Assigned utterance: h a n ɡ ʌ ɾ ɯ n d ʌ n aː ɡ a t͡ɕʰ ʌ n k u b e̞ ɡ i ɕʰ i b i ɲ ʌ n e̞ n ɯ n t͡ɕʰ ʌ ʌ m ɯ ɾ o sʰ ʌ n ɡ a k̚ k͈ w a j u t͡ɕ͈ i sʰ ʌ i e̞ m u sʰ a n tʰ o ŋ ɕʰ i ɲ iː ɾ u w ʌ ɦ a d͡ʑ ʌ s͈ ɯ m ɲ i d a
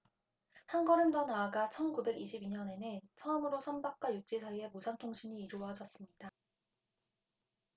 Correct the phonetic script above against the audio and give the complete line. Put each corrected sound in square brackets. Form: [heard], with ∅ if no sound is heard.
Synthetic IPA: h a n ɡ ʌ ɾ ɯ n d ʌ n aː ɡ a t͡ɕʰ ʌ n k u b e̞ ɡ i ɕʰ i b i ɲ ʌ n e̞ n ɯ n t͡ɕʰ ʌ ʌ m ɯ ɾ o sʰ ʌ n [b] a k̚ k͈ w a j u t͡ɕ͈ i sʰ [a] i e̞ m u sʰ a n tʰ o ŋ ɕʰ i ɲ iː ɾ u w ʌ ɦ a d͡ʑ ʌ s͈ ɯ m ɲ i d a